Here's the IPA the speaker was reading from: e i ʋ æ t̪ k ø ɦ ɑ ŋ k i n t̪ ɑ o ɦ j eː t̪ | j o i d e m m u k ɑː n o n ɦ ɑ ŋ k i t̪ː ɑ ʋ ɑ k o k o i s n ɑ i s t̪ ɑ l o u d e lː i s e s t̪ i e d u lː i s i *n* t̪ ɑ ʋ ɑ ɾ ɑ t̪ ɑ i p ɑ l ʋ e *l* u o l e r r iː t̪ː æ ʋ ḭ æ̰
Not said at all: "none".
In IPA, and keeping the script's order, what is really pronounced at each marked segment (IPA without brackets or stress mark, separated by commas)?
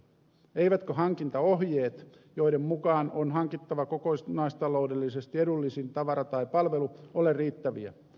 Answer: n, l